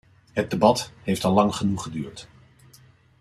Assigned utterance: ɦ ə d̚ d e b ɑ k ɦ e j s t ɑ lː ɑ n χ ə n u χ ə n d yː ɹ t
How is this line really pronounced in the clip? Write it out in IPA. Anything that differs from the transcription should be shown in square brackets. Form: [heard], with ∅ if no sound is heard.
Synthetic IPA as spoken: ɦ ə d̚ d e b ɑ [t] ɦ e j [f] t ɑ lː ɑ [ŋ] χ ə n u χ ə [∅] d yː ɹ t